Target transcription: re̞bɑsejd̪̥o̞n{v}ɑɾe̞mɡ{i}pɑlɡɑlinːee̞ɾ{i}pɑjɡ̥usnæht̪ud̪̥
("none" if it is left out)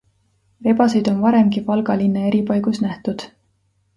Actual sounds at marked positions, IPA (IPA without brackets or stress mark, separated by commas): v, i, i